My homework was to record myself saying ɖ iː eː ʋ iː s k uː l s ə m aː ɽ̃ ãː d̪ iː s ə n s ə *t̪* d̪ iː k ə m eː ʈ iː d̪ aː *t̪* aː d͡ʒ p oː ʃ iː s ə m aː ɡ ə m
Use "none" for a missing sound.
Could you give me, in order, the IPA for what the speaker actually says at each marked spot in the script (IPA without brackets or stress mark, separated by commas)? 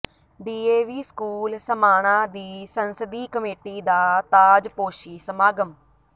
none, t̪